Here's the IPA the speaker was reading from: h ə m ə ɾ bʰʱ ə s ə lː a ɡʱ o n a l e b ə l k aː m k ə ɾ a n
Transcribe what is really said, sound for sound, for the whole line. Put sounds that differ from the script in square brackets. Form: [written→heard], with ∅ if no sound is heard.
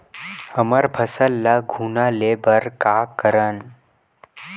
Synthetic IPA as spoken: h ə m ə ɾ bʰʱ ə s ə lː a ɡʱ [o→u] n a l e b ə [l→ɾ] k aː [m→∅] k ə ɾ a n